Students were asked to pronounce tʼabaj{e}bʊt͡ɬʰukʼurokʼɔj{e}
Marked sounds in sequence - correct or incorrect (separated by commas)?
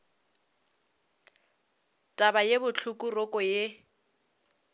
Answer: correct, correct